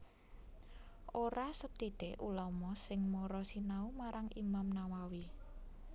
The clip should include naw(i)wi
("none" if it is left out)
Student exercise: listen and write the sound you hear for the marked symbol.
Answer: a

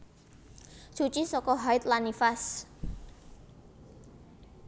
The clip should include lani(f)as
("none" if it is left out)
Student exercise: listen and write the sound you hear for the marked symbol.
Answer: f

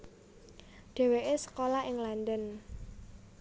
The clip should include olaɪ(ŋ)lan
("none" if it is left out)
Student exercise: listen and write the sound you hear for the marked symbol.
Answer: ŋ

